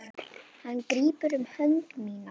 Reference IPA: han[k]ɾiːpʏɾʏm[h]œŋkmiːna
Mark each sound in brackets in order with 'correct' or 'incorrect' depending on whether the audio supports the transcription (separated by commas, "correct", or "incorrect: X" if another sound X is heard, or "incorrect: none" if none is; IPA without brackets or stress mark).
correct, correct